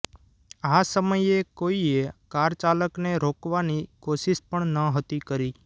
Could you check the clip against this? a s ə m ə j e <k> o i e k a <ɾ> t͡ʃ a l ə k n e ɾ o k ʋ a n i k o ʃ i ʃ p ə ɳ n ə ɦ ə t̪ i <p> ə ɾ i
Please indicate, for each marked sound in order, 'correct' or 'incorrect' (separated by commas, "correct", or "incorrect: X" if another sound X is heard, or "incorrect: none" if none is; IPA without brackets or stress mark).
correct, correct, incorrect: k